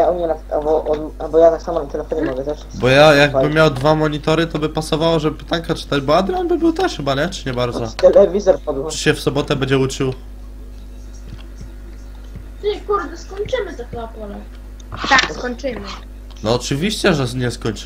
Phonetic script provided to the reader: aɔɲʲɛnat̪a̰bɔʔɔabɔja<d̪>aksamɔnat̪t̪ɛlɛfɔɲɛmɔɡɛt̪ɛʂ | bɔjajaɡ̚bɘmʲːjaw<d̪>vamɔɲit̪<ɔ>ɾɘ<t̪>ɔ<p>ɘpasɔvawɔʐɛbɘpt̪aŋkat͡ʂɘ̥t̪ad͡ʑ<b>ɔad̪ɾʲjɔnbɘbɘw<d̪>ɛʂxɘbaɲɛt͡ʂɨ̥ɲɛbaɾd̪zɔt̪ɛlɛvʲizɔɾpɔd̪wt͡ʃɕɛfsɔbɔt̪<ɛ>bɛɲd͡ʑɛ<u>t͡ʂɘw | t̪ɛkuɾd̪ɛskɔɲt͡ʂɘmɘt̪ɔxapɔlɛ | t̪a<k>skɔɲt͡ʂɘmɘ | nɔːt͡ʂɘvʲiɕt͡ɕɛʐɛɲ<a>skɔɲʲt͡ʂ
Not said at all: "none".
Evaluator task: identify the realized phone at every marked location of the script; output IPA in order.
t̪, d̪, ɔ, t̪, b, b, t̪, ɛ, u, k, ɛ

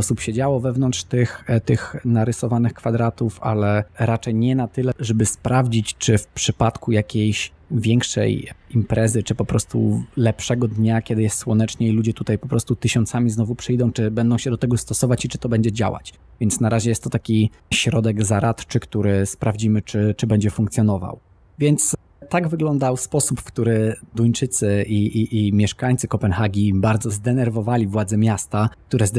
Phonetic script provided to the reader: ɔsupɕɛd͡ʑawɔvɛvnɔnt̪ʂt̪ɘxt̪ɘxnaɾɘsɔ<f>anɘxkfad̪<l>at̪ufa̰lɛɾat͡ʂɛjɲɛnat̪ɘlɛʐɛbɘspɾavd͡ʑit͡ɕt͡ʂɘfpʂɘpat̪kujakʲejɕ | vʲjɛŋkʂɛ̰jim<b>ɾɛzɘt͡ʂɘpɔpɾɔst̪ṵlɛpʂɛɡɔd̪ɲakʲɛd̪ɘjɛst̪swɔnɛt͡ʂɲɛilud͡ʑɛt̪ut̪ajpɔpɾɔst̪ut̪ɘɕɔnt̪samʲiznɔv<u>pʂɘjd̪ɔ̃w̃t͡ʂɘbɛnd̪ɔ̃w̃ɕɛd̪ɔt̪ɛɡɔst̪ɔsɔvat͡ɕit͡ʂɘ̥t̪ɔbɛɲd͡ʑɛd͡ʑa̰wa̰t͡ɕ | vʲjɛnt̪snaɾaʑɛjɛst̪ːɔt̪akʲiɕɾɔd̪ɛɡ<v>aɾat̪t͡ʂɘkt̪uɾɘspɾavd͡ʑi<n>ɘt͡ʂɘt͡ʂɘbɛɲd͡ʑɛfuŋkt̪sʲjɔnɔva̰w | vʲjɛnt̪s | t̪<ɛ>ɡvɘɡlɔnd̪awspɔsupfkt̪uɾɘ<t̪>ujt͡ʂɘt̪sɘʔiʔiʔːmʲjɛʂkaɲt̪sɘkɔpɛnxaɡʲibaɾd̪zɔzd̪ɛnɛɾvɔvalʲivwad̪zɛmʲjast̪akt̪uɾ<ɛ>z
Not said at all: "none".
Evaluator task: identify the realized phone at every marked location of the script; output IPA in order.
v, ɾ, p, u, z, m, a, d̪, ɛ

